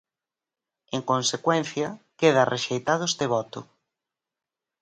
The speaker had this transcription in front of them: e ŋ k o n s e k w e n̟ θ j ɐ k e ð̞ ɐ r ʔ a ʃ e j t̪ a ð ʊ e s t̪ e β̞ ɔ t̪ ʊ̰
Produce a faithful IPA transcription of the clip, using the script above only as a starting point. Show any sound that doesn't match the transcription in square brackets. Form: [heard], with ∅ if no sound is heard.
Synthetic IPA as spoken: e ŋ k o n s e k w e n̟ θ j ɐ k e ð̞ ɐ r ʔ [e] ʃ e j t̪ a ð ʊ e s t̪ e β̞ ɔ t̪ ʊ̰